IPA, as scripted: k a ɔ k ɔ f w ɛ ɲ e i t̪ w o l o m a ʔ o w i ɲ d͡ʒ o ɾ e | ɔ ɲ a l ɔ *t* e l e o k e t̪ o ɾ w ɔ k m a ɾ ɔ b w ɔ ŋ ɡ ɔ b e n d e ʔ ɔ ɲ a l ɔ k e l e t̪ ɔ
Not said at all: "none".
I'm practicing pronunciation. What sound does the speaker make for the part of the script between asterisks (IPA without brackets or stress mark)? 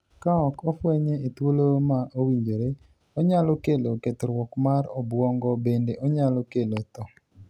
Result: k